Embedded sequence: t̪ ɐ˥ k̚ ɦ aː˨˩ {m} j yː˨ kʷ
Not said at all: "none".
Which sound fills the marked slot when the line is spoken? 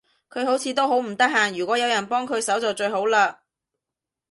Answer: ŋ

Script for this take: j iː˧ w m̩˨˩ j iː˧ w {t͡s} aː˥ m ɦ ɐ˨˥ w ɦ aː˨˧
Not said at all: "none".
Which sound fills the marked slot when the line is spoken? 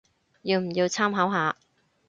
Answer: t͡sʰ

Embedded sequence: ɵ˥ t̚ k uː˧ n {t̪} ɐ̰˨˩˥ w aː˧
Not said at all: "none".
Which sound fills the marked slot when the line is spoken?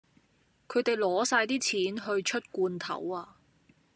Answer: t̪ʰ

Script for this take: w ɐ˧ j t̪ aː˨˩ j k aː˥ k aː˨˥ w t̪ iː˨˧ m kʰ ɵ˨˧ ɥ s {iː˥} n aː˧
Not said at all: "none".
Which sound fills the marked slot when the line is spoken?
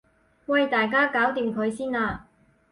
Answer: iː˥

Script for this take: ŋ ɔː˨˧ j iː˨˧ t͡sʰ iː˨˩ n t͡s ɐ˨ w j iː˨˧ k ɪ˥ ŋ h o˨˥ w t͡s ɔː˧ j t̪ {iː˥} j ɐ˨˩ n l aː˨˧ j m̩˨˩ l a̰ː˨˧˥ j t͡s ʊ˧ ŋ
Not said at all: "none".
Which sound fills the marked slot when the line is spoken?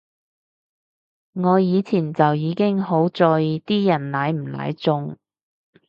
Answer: iː˥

